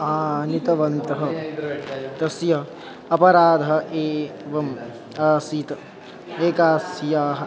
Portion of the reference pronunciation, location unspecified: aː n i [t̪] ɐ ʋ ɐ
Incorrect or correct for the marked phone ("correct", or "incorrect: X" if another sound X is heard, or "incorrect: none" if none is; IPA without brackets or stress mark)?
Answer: correct